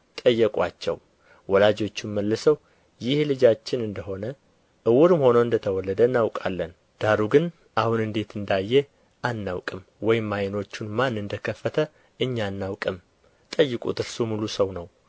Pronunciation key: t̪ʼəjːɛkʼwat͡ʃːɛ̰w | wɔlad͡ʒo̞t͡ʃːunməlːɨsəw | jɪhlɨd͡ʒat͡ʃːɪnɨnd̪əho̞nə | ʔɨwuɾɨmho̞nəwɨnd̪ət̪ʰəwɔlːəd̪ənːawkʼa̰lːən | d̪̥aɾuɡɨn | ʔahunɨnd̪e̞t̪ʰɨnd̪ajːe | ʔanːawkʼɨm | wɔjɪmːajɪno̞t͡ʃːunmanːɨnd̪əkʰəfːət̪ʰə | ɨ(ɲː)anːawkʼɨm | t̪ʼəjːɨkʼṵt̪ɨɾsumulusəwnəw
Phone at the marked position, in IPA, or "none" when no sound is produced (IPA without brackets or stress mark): ɲː